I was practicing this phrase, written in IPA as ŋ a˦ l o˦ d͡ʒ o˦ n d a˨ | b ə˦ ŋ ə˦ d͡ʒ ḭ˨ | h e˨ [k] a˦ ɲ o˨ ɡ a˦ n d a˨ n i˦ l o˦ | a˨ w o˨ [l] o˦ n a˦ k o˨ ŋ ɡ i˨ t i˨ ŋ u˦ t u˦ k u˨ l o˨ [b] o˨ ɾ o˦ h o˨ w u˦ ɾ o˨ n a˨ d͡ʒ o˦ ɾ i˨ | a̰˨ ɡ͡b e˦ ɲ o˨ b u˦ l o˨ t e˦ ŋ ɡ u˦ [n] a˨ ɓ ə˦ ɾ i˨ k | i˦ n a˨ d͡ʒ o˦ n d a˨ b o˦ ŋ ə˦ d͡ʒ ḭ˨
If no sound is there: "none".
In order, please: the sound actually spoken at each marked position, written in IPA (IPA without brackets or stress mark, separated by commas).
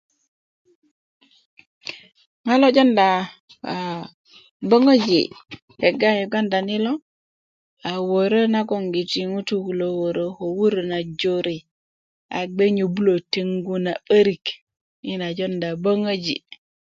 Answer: ɡ, ɾ, w, n